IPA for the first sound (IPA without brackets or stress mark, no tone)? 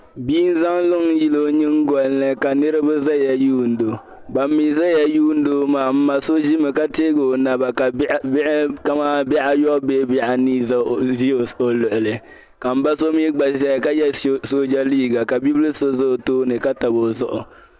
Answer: b